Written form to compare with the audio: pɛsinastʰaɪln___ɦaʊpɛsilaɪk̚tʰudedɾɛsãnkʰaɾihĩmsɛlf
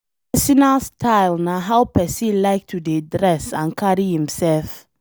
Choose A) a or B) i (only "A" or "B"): A